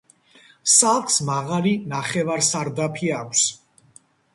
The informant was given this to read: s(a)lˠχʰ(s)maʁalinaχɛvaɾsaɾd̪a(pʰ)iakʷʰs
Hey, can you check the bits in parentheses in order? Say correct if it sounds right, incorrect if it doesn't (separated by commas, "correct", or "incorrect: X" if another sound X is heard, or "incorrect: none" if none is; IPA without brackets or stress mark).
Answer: correct, correct, correct